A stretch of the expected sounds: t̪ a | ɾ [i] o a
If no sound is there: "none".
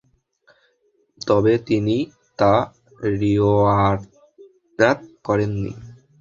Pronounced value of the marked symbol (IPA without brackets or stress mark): i